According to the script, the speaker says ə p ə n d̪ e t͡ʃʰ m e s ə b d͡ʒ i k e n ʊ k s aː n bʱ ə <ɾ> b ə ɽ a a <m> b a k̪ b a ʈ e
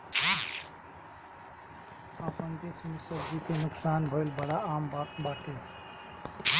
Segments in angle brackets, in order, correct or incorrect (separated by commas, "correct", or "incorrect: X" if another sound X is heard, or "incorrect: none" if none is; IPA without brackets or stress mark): incorrect: l, correct